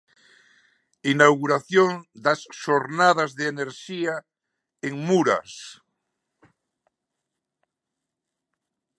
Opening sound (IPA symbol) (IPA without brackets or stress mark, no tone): i